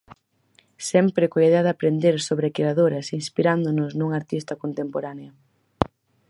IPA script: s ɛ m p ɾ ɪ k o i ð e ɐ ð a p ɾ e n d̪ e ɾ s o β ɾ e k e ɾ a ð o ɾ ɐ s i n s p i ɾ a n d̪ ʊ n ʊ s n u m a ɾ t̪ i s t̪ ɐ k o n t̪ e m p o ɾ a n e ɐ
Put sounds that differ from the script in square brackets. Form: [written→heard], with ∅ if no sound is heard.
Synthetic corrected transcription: s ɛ m p ɾ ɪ k o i ð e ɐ ð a p ɾ e n d̪ e ɾ s o β ɾ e k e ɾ a ð o ɾ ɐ s i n s p i ɾ a n d̪ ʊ n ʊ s n u [m→ŋ] a ɾ t̪ i s t̪ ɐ k o n t̪ e m p o ɾ a n e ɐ